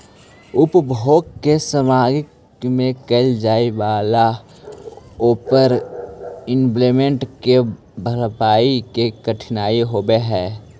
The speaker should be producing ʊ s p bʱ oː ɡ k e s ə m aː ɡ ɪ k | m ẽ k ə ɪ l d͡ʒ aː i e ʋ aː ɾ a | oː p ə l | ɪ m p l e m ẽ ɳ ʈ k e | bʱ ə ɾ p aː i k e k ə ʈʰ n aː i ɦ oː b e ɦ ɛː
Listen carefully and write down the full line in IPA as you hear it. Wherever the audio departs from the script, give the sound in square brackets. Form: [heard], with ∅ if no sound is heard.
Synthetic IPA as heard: ʊ [∅] p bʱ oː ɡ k e s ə m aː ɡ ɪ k | m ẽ k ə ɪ l d͡ʒ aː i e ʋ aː [l] a | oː p ə [ɾ] | ɪ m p l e m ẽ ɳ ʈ k e | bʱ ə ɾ p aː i k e k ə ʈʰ n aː i ɦ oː b e ɦ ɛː